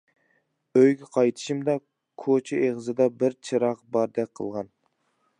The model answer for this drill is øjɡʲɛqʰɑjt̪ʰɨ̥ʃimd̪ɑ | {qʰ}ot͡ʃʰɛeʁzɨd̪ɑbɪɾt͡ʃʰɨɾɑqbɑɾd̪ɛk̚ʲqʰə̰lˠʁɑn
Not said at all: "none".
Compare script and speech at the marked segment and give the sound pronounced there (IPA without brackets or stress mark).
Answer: kʰ